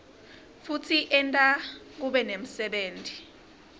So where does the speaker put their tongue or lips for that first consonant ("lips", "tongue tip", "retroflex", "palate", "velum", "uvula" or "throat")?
lips